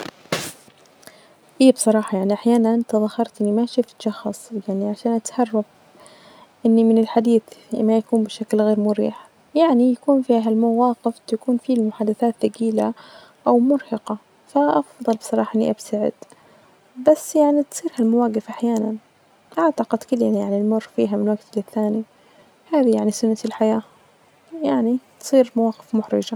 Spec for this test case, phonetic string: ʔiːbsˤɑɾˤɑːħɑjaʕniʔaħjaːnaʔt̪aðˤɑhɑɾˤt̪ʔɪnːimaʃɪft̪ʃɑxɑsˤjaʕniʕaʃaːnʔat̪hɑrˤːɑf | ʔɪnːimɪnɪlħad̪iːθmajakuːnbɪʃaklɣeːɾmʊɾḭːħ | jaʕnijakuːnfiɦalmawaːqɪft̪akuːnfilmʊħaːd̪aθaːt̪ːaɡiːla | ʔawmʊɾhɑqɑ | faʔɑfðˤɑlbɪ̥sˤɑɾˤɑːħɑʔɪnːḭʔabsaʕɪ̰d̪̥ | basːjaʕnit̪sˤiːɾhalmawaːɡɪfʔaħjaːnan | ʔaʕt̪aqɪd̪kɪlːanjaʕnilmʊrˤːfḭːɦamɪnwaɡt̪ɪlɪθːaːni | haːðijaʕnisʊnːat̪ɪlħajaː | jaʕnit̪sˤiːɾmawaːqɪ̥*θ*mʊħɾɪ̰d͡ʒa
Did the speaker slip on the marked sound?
yes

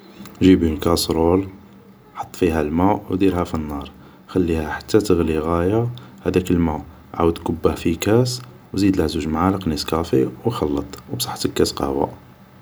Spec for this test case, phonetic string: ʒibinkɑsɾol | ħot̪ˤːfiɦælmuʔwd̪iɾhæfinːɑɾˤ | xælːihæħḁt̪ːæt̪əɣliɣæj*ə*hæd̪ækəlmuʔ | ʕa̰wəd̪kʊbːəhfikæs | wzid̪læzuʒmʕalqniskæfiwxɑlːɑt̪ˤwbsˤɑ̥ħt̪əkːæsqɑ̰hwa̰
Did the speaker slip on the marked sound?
yes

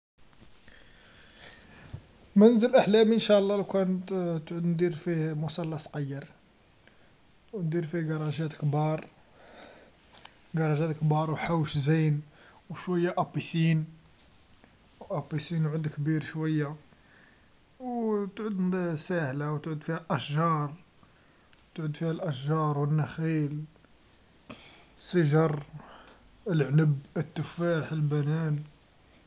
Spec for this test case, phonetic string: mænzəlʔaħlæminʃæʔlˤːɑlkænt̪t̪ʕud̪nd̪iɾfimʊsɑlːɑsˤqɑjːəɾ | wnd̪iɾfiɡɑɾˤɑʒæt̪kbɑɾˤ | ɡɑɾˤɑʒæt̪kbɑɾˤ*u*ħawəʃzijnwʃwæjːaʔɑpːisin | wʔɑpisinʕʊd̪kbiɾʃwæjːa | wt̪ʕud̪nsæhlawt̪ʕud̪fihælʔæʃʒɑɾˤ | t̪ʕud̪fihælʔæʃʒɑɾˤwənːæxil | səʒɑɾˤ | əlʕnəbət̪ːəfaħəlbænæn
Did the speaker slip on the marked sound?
yes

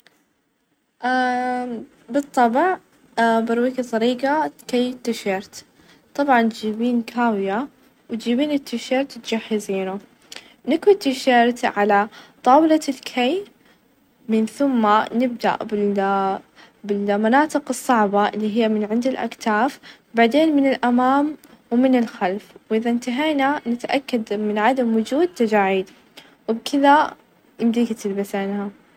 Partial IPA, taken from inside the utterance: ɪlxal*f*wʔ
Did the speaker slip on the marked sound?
no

